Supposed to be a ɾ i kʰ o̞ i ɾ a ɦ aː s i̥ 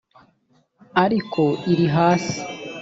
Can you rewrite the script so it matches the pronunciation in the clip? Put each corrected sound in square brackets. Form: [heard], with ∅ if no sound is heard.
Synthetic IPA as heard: a ɾ i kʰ o̞ i ɾ [i] ɦ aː s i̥